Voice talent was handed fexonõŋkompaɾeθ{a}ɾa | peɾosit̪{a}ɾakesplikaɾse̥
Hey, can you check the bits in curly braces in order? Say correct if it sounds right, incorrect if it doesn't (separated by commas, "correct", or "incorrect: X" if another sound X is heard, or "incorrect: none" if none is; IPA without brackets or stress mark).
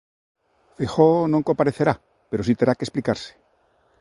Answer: incorrect: e, incorrect: e